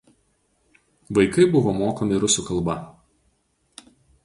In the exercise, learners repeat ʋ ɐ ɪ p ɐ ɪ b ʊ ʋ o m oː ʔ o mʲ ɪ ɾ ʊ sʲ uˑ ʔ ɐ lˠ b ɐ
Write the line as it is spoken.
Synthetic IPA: ʋ ɐ ɪ k ɐ ɪ b ʊ ʋ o m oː k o mʲ ɪ ɾ ʊ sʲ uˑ k ɐ lˠ b ɐ